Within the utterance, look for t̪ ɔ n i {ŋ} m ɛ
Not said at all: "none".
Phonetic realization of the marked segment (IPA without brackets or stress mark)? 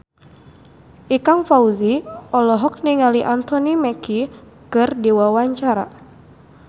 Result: none